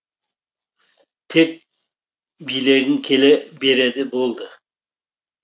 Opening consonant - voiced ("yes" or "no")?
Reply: no